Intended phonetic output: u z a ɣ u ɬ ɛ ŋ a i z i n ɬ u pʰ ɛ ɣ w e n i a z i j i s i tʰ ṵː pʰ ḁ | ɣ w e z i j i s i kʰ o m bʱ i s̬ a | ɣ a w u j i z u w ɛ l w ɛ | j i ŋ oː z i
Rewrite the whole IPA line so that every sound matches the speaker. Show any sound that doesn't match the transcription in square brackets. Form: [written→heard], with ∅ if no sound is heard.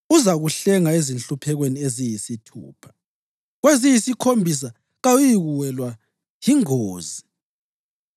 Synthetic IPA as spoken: u z a ɣ u ɬ ɛ ŋ a [i→e] z i n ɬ u pʰ ɛ ɣ w e n i [a→e] z i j i s i tʰ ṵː pʰ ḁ | ɣ w e z i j i s i kʰ o m bʱ i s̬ a | ɣ a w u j i [z→ɣ] u w ɛ l w [ɛ→a] | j i ŋ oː z i